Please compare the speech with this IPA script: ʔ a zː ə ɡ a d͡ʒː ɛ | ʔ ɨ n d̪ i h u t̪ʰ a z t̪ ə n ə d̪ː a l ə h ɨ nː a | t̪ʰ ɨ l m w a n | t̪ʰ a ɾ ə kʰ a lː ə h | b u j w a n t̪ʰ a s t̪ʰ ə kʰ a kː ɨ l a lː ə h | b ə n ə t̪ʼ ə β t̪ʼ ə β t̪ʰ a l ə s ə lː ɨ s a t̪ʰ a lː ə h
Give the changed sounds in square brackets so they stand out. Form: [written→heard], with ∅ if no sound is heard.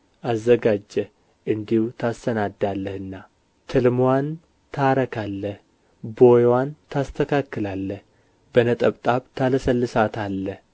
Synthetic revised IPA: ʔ a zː ə ɡ a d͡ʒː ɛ | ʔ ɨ n d̪ i h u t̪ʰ a [z→s] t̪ ə n [ə→a] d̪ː a [l→lː] ə h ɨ nː a | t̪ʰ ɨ l m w a n | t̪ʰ a ɾ ə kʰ a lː ə h | b [u→o] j w a n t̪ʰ a s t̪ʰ ə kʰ a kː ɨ l a lː ə h | b ə n ə t̪ʼ ə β t̪ʼ [ə→a] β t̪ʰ a l ə s ə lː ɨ s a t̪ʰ a lː ə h